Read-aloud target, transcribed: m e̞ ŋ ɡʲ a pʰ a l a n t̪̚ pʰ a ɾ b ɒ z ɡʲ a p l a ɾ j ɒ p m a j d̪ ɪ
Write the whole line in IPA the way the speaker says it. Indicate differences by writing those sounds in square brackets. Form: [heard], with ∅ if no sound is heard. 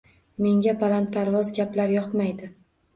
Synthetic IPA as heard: m e̞ ŋ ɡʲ a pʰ a l a n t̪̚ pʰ a ɾ [v] ɒ z ɡʲ a p l a ɾ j ɒ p m a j d̪ ɪ